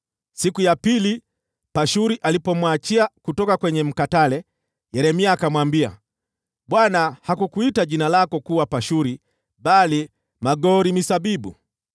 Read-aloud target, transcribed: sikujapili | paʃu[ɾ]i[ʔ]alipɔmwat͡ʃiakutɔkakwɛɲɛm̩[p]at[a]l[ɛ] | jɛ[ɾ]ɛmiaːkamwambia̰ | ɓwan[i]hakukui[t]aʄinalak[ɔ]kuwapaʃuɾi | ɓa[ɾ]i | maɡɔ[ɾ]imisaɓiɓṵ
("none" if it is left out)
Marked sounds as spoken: ɾ, ʔ, k, a, ɛ, ɾ, a, t, ɔ, l, ɾ

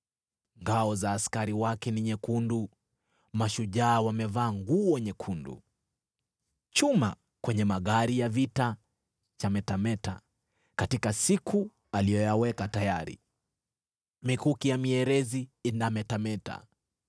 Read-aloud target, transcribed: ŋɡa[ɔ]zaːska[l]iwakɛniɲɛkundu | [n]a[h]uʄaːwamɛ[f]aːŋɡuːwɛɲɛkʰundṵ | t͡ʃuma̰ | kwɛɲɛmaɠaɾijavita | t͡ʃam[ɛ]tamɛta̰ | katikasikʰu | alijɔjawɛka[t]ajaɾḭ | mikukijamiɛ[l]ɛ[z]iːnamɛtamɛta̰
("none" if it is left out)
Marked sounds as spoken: ɔ, ɾ, m, ʃ, v, ɛ, t, ɾ, z

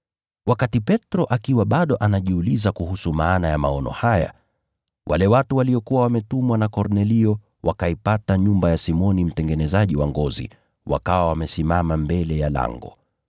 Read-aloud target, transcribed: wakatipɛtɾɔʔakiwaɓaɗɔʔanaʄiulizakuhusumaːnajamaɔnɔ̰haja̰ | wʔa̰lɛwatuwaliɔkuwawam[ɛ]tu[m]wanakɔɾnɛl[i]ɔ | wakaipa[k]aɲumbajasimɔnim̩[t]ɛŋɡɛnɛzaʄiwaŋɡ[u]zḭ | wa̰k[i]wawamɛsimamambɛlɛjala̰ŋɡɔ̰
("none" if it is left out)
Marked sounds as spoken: ɛ, m, i, t, t, ɔ, a

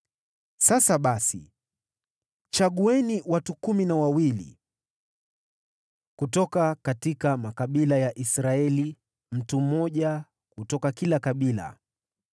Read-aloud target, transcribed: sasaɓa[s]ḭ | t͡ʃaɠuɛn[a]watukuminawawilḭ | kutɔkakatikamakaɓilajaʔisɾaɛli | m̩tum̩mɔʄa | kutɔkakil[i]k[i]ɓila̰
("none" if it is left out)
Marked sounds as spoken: s, i, a, a

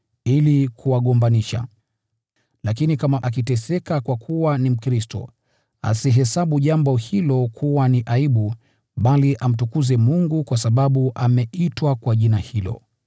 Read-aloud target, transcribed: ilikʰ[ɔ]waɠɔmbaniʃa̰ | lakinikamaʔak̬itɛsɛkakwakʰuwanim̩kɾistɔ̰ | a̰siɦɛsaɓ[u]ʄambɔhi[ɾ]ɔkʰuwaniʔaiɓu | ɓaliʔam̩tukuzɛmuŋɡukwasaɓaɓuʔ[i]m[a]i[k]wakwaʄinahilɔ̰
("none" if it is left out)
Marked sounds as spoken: u, u, l, a, ɛ, t

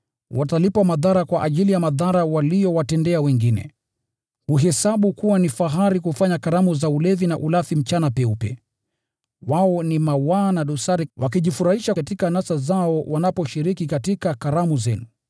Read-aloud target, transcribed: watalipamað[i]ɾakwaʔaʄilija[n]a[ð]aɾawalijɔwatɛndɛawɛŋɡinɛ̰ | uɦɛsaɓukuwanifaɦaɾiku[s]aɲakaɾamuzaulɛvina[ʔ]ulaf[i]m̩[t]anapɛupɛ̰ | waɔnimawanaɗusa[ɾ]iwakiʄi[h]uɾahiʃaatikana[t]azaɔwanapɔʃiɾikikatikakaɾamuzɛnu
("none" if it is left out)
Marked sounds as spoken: a, m, ð, f, ʔ, i, t͡ʃ, ɾ, f, s

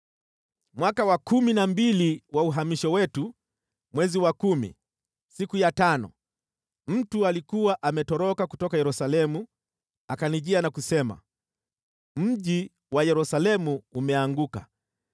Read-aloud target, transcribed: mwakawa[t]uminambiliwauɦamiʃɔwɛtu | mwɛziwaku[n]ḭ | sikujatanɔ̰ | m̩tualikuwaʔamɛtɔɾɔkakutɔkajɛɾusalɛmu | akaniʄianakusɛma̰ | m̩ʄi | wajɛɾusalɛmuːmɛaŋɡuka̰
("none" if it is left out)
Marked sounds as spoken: k, m

